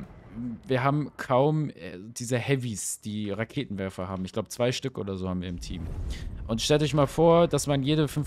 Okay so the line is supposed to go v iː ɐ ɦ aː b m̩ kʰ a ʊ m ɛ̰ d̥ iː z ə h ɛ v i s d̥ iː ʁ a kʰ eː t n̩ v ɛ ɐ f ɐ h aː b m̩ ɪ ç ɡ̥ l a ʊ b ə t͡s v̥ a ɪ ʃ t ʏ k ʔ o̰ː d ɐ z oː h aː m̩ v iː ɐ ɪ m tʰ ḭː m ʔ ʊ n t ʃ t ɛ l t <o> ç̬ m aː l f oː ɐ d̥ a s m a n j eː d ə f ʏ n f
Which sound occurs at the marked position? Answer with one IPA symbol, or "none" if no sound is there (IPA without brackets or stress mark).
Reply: ɔ